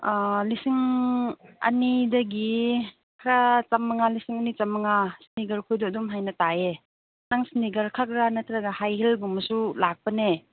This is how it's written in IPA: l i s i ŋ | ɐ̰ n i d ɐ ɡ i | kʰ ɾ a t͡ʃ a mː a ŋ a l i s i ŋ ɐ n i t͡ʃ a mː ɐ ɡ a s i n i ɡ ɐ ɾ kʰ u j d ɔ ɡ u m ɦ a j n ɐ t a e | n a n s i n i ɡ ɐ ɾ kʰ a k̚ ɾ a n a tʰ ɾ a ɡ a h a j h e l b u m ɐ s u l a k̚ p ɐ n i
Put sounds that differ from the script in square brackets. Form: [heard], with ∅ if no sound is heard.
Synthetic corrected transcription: l i s i ŋ | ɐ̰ n i d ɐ ɡ i | kʰ ɾ a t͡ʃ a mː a ŋ a l i s i ŋ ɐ n i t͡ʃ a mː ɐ [ŋ] a s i n i ɡ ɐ ɾ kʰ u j d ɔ [d] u m ɦ a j n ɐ t a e | n a [ŋ] s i n i ɡ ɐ ɾ kʰ a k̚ ɾ a n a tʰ ɾ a ɡ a h a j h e l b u m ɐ s u l a k̚ p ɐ n [e]